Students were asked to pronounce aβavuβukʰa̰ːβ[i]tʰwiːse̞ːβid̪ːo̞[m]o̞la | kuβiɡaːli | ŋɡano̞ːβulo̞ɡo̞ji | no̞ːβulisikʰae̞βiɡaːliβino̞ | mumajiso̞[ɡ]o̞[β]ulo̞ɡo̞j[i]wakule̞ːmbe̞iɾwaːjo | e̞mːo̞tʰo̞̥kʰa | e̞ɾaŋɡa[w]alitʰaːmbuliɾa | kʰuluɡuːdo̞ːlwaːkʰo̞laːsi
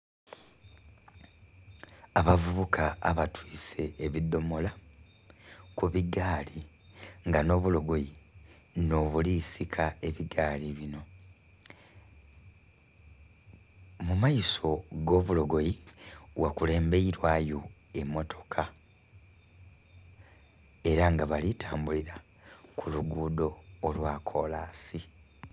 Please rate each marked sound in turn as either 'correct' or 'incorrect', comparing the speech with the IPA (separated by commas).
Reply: incorrect, correct, correct, correct, correct, incorrect